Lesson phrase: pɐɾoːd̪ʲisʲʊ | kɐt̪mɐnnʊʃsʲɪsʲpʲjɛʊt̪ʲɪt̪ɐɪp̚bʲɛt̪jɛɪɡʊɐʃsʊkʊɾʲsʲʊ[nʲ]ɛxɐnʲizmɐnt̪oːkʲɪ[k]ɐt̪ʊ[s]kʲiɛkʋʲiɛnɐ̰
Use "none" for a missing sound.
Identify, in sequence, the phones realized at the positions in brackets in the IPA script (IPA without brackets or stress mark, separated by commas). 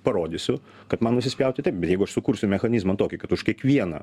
mʲ, k, ʃ